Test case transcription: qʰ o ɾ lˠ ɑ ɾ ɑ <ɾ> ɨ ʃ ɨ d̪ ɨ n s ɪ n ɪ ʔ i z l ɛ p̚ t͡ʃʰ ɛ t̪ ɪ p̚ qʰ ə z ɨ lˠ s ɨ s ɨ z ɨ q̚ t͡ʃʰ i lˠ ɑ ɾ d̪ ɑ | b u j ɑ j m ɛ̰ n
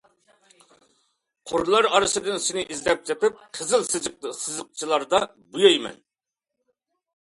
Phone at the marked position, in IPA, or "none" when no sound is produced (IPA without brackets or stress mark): ɾ